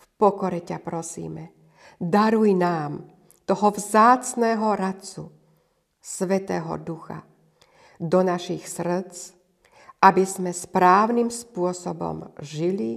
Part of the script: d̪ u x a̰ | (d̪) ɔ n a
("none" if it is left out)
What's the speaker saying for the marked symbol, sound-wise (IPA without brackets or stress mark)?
d̪